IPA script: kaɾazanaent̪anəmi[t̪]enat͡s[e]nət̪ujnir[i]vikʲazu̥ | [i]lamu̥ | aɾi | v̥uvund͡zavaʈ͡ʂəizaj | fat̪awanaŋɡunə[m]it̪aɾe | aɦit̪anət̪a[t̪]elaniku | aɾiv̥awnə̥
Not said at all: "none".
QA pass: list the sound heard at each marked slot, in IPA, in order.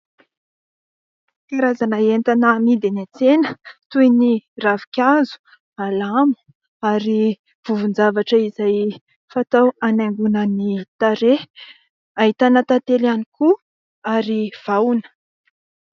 d̪, e, a, a, n, t̪

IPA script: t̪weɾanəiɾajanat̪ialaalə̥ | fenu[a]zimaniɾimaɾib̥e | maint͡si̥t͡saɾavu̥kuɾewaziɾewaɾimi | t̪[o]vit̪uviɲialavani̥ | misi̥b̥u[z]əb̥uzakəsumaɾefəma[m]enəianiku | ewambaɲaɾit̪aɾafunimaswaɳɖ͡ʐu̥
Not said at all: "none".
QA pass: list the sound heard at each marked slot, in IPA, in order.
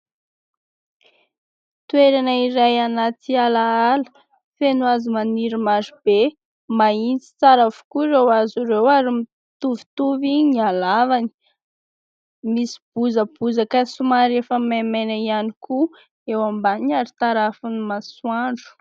a, u, z, m

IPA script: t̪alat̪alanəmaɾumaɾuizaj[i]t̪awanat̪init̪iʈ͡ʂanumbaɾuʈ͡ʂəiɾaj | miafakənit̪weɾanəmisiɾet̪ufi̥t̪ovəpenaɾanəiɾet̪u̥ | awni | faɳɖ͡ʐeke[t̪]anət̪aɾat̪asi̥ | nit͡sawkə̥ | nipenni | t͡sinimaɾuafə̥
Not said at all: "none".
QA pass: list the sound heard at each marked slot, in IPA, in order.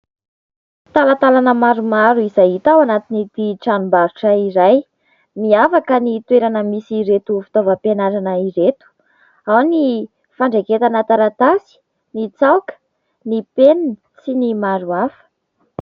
i, t̪

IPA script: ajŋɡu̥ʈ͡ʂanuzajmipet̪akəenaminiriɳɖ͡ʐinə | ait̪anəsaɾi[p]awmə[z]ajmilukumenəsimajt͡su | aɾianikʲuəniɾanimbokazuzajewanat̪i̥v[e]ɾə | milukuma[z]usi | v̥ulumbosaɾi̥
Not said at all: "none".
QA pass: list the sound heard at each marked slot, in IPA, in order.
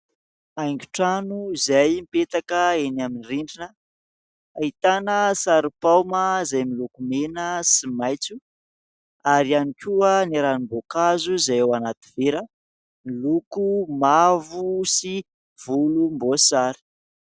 p, z, e, v

